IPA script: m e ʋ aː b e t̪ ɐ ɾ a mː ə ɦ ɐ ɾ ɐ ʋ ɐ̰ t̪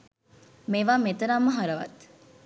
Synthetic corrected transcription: m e ʋ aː m e t̪ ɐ ɾ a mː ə ɦ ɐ ɾ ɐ ʋ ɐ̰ t̪